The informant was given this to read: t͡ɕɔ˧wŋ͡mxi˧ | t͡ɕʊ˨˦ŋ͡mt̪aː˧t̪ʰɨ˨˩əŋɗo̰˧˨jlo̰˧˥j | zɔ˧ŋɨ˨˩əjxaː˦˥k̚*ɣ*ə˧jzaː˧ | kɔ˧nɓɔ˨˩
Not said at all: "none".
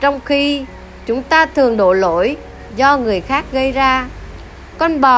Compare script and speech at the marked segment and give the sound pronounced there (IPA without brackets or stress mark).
ɣ